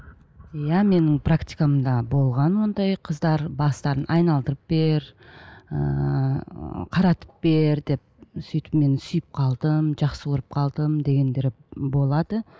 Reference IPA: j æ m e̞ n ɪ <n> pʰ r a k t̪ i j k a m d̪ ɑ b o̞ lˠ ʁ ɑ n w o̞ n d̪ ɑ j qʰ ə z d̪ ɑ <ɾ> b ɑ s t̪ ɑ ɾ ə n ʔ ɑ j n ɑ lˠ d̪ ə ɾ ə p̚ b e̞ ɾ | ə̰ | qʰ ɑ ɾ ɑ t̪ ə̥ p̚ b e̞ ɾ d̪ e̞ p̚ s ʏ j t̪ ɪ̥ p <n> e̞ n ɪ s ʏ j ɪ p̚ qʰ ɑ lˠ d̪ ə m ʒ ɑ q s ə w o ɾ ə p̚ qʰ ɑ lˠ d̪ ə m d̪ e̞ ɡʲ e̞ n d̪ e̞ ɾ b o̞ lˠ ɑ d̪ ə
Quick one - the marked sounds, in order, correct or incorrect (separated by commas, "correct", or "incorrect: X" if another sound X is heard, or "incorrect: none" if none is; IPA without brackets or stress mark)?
incorrect: ŋ, correct, incorrect: m